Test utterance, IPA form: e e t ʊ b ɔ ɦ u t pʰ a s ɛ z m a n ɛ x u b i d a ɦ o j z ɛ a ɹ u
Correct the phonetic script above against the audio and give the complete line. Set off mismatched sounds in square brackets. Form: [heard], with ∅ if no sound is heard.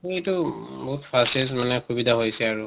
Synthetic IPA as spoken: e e t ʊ b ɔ ɦ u t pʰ a s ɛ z m a n ɛ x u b i d a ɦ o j [s] ɛ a ɹ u